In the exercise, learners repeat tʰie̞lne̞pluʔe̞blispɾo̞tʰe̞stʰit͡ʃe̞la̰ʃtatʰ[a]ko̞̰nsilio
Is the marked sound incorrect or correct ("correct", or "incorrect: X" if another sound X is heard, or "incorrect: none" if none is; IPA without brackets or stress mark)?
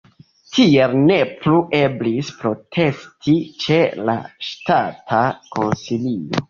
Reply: correct